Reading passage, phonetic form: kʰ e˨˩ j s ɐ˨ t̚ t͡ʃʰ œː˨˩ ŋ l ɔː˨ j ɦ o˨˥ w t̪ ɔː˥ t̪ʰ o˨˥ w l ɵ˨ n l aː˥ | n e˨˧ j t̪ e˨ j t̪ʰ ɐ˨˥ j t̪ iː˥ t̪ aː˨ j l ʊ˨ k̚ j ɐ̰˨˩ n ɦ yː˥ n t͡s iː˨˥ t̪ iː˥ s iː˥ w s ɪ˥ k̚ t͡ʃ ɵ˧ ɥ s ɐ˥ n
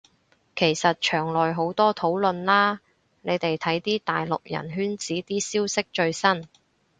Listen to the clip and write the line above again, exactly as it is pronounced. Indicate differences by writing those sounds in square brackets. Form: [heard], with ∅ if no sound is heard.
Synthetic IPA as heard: kʰ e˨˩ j s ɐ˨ t̚ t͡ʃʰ œː˨˩ ŋ l ɔː˨ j ɦ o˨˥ w t̪ ɔː˥ t̪ʰ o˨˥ w l ɵ˨ n l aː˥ | n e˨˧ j t̪ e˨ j t̪ʰ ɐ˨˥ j t̪ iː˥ t̪ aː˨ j l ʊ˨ k̚ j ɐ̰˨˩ n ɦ yː˥ n t͡s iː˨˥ t̪ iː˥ s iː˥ w s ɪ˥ k̚ t͡ʃ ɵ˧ ɥ s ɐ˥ n

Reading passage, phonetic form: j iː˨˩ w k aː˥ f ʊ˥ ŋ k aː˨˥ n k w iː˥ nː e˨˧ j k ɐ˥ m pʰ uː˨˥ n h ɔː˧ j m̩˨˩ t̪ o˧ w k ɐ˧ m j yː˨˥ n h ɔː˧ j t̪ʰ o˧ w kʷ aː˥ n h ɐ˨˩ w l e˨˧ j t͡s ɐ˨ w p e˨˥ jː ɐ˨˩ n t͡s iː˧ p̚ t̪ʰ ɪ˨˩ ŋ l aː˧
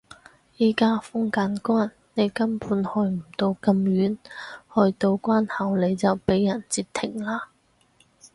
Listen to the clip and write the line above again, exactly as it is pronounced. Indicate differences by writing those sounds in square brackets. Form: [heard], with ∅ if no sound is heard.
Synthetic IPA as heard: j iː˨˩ [∅] k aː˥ f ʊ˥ ŋ k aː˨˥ n k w [aː˥] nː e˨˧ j k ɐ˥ m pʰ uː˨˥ n h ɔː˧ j m̩˨˩ t̪ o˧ w k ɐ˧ m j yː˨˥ n h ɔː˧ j [t̪] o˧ w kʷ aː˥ n h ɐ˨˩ w l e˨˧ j t͡s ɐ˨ w p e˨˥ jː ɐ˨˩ n t͡s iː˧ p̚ t̪ʰ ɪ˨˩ ŋ l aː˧

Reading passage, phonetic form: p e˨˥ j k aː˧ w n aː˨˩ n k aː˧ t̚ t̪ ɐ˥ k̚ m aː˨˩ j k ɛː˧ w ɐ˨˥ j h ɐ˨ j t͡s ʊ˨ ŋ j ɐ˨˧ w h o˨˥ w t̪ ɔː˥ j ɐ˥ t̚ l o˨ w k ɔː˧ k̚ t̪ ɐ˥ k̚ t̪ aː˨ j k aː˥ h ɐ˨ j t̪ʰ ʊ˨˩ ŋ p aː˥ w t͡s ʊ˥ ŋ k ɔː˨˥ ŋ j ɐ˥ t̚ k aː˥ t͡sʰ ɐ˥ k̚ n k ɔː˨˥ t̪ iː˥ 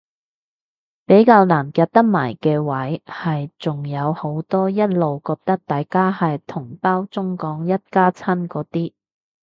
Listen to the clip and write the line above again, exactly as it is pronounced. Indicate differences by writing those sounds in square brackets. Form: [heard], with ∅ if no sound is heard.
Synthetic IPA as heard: p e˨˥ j k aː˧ w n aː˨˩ n k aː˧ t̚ t̪ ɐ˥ k̚ m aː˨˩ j k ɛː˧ w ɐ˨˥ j h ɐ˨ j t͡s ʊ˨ ŋ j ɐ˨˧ w h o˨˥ w t̪ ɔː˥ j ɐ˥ t̚ l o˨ w k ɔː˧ k̚ t̪ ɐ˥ k̚ t̪ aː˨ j k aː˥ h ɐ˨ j t̪ʰ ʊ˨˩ ŋ p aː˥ w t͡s ʊ˥ ŋ k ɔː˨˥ ŋ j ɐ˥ t̚ k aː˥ t͡sʰ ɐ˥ [∅] n k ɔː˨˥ t̪ iː˥

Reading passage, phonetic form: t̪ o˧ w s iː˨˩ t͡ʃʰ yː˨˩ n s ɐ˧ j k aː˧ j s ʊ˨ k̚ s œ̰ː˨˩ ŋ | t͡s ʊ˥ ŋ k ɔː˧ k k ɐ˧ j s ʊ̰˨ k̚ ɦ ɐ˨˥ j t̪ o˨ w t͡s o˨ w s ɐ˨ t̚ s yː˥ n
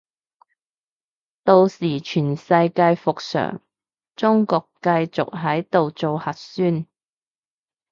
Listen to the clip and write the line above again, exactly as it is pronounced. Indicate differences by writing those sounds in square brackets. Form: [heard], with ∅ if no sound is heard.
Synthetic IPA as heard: t̪ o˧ w s iː˨˩ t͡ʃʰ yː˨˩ n s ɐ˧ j k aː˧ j [f] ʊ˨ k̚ s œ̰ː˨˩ ŋ | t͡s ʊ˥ ŋ k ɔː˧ k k ɐ˧ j [t͡s] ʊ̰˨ k̚ ɦ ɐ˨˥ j t̪ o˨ w t͡s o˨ w [h] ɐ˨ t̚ s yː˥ n

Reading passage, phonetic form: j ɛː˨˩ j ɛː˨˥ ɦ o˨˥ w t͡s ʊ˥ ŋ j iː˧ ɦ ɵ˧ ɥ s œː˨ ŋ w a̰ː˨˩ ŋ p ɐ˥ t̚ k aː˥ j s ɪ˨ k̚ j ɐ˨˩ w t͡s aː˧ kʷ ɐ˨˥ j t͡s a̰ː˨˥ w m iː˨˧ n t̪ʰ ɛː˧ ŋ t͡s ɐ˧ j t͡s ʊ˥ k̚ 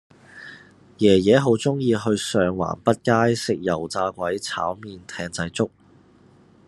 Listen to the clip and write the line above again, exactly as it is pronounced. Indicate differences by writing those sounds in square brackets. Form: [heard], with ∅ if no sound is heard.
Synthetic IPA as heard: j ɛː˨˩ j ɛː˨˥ ɦ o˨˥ w t͡s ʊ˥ ŋ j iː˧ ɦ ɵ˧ ɥ s œː˨ ŋ w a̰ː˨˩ [n] p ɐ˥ t̚ k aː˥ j s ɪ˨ k̚ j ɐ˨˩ w t͡s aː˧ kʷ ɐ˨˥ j [t͡sʰ] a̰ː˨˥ w m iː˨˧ n t̪ʰ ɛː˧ ŋ t͡s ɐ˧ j t͡s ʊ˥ k̚

